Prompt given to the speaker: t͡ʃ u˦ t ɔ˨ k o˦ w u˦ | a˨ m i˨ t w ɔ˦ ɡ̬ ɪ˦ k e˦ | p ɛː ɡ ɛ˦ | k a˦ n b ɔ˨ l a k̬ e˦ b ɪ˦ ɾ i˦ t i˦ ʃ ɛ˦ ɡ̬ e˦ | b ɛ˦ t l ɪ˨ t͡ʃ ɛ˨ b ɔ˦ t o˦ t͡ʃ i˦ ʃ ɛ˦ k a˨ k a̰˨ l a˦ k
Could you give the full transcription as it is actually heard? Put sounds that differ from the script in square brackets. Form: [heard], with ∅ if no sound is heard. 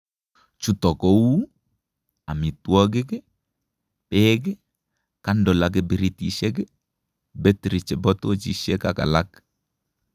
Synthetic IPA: t͡ʃ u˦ t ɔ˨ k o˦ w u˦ | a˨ m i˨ t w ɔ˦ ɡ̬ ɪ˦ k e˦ | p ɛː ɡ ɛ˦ | k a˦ n [d] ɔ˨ l a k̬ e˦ b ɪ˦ ɾ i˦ t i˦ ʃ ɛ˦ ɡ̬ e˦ | b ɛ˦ t [ɾ] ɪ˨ t͡ʃ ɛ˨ b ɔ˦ t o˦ t͡ʃ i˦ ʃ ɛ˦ k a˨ k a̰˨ l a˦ k